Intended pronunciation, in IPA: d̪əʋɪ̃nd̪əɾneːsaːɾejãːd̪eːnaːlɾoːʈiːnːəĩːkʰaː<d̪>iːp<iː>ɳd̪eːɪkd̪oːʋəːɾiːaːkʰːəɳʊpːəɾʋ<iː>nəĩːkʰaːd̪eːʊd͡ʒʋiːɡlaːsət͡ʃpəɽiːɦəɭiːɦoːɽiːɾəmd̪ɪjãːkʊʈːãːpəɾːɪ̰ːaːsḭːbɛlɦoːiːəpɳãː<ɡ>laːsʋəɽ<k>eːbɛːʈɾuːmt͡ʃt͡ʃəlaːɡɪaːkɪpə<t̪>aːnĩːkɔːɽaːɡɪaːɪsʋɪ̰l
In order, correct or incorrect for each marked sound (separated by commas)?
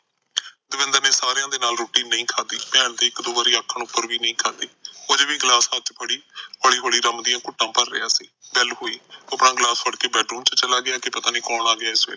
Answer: correct, incorrect, correct, correct, correct, correct